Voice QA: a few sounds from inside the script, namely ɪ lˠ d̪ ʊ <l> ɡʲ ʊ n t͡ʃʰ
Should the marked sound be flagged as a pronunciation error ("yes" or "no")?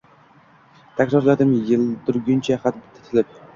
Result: yes